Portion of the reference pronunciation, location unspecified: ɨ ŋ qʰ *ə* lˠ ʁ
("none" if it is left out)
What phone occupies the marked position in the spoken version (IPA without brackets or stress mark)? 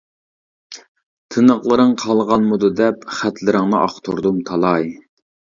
ɑ